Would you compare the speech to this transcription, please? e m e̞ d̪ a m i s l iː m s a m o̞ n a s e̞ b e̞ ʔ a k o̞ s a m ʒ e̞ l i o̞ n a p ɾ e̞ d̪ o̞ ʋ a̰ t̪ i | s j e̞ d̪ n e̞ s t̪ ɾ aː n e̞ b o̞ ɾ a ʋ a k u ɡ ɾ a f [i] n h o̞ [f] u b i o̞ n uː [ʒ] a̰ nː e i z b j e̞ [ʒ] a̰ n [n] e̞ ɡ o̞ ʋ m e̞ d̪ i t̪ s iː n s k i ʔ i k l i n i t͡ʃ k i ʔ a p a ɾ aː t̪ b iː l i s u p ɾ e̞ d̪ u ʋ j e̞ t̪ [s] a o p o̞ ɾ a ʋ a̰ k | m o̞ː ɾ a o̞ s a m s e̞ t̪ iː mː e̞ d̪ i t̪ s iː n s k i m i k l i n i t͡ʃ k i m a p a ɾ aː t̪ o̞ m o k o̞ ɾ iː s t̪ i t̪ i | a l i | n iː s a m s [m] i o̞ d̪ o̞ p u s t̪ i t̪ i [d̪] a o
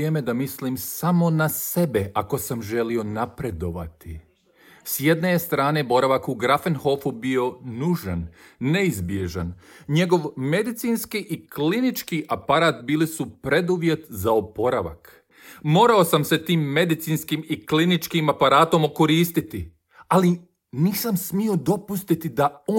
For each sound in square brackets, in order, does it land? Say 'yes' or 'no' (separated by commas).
no, yes, yes, yes, no, no, yes, yes